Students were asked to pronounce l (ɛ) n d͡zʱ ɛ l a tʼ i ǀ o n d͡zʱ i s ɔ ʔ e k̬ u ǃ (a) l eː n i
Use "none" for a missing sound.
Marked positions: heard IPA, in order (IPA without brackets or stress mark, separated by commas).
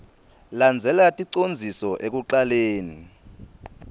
a, a